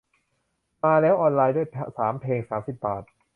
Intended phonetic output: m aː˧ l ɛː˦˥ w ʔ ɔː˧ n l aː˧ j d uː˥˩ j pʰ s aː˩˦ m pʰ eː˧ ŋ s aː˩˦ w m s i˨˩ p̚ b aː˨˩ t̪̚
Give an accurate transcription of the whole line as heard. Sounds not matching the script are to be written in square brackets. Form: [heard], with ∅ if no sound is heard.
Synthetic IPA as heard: m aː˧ l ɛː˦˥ w ʔ ɔː˧ n l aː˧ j d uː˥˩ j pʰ s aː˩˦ m pʰ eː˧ ŋ s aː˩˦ [∅] m s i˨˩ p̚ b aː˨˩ t̪̚